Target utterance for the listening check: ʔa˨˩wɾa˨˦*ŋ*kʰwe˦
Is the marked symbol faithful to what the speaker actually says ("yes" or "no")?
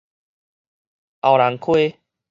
yes